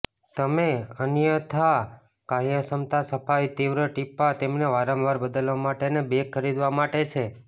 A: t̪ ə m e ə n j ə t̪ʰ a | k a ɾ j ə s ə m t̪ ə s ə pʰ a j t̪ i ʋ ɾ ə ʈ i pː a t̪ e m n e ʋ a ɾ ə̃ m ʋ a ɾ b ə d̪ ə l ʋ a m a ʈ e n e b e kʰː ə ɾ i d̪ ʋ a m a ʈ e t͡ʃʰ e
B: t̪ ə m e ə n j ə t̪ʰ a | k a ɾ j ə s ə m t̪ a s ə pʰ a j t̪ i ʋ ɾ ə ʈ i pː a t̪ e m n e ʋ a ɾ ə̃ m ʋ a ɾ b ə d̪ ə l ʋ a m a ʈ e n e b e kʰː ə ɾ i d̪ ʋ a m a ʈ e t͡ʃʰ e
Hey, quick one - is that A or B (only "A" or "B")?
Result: B